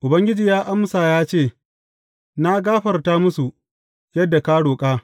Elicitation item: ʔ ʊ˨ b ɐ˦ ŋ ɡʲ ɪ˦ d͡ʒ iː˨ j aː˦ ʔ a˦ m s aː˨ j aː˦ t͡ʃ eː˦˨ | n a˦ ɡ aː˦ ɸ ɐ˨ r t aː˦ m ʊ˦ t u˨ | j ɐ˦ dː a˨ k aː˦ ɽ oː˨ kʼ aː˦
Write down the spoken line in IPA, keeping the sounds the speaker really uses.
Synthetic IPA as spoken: ʔ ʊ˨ b ɐ˦ ŋ ɡʲ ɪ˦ d͡ʒ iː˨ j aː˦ ʔ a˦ m s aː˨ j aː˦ t͡ʃ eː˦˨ | n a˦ ɡ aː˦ ɸ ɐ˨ r t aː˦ m ʊ˦ s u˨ | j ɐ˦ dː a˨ k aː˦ ɽ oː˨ kʼ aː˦